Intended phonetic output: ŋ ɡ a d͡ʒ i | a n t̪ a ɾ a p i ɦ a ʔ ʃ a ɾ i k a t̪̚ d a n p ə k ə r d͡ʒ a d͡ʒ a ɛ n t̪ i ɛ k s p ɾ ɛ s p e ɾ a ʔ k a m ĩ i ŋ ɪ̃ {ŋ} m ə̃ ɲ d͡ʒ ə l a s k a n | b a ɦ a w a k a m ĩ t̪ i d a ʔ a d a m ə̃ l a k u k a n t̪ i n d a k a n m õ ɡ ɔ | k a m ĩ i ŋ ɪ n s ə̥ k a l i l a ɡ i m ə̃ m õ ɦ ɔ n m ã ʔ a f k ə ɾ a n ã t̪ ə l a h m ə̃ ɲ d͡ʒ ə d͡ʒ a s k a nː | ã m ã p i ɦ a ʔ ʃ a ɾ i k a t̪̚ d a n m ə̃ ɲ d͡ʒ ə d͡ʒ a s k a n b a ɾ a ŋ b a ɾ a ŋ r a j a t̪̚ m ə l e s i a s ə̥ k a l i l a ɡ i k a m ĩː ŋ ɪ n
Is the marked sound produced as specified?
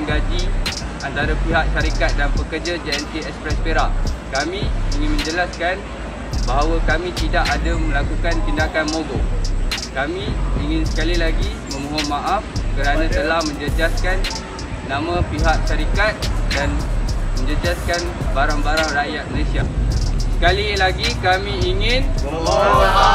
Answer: no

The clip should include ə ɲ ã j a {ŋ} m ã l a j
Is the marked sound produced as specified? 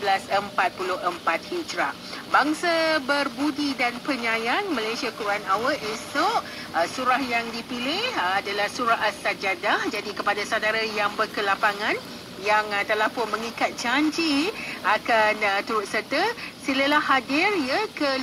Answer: no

